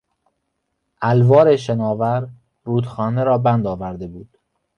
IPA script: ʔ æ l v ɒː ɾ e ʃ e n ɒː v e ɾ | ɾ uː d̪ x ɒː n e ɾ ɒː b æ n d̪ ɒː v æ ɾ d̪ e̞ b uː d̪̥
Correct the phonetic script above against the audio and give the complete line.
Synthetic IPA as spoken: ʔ æ l v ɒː ɾ e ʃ e n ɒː v æ ɾ | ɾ uː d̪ x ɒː n e ɾ ɒː b æ n d̪ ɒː v æ ɾ d̪ e̞ b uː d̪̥

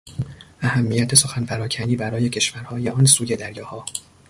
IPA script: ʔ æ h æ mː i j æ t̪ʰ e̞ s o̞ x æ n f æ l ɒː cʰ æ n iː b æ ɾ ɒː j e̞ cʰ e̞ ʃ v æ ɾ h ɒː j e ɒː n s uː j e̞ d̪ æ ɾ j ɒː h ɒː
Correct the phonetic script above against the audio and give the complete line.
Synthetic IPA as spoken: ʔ æ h æ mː i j æ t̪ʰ e̞ s o̞ x æ n f æ ɾ ɒː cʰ æ n iː b æ ɾ ɒː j e̞ cʰ e̞ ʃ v æ ɾ h ɒː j e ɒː n s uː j e̞ d̪ æ ɾ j ɒː h ɒː

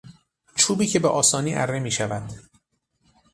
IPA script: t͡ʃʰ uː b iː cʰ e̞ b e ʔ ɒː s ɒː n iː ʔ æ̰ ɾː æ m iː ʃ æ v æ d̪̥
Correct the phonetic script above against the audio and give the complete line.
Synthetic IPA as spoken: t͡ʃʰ uː b iː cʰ e̞ b e ʔ ɒː s ɒː n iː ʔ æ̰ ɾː e m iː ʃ æ v æ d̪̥

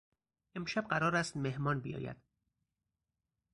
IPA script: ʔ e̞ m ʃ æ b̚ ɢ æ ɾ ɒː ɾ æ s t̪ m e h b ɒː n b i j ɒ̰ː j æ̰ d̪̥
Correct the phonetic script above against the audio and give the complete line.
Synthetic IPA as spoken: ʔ e̞ m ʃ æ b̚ ɢ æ ɾ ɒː ɾ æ s t̪ m e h m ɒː n b i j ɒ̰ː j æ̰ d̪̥

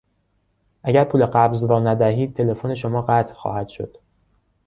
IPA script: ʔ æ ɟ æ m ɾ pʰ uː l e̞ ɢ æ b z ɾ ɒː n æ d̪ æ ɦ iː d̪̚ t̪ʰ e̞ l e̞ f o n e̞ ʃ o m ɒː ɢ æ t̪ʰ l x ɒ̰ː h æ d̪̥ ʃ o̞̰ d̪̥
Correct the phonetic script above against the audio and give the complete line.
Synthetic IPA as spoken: ʔ æ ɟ æ ɾ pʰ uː l e̞ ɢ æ b z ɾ ɒː n æ d̪ æ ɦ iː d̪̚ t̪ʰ e̞ l e̞ f o n e̞ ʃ o m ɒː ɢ æ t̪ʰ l x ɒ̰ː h æ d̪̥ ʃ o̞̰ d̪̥

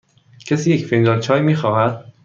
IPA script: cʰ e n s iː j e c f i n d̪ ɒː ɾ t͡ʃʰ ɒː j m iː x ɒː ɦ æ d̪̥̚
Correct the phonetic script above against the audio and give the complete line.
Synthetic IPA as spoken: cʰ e s iː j e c f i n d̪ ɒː l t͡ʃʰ ɒː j m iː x ɒː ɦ æ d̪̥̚

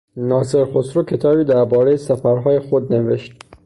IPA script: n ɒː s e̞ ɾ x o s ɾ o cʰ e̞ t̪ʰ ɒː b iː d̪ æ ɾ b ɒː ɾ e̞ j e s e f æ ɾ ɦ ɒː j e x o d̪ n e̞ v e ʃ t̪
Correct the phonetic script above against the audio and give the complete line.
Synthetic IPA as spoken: n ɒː s e̞ ɾ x o s ɾ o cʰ e̞ t̪ʰ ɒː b iː d̪ æ ɾ b ɒː ɾ e̞ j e s æ f æ ɾ ɦ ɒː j e x o d̪ n e̞ v e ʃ t̪

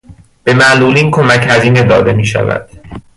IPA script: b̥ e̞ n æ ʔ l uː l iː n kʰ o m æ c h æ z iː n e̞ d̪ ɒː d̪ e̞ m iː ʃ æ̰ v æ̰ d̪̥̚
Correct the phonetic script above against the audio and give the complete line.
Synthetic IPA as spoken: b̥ e̞ m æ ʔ l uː l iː n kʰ o m æ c h æ z iː n e̞ d̪ ɒː d̪ e̞ m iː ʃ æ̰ v æ̰ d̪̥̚

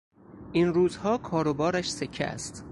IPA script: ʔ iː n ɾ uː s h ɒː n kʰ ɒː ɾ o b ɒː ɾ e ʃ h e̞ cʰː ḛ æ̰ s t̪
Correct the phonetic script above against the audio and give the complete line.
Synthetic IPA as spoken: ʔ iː n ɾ uː z h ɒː kʰ ɒː ɾ o b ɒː ɾ æ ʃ s e̞ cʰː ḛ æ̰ s t̪

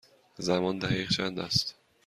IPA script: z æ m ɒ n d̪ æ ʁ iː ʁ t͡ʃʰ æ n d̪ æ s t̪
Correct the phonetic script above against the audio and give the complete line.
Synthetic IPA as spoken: z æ m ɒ n d̪ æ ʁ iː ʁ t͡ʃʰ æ n d̪ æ s t̪

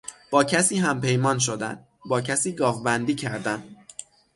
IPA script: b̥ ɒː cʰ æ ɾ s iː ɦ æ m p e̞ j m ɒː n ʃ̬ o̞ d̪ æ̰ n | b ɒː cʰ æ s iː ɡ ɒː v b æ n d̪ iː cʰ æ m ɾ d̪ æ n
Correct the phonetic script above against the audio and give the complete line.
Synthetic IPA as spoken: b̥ ɒː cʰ æ s iː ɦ æ m p e̞ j m ɒː n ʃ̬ o̞ d̪ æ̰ n | b ɒː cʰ æ s iː ɡ ɒː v b æ n d̪ iː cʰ æ ɾ d̪ æ n

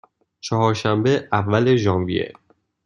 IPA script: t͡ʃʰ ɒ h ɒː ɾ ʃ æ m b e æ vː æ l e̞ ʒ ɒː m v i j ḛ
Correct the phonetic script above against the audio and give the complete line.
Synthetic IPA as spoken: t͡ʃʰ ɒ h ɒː ɾ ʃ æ m b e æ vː æ l e̞ ʒ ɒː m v i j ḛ

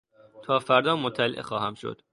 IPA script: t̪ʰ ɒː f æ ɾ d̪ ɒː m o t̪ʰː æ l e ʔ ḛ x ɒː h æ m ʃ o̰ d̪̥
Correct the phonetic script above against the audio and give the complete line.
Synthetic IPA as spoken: t̪ʰ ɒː f æ ɾ d̪ ɒː m o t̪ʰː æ l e ʔ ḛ x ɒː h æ m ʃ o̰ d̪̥

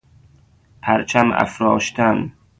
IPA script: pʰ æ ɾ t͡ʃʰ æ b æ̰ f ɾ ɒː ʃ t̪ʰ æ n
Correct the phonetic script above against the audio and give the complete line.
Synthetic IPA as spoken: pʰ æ ɾ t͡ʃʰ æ m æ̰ f ɾ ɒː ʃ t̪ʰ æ n

